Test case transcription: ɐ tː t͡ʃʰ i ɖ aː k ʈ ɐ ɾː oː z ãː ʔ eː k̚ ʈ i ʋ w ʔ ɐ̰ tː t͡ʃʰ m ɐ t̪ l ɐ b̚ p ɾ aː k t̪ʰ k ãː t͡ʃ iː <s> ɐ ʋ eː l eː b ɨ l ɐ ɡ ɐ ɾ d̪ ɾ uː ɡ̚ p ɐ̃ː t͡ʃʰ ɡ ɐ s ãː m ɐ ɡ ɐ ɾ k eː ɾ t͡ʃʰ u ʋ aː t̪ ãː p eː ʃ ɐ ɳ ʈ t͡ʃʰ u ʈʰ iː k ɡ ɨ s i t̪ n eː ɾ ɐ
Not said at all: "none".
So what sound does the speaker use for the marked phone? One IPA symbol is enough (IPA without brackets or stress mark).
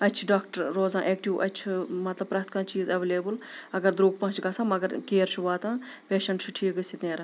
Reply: z